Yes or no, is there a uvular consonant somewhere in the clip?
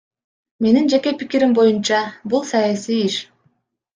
no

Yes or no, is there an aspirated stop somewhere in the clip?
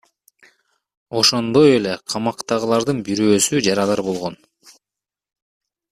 yes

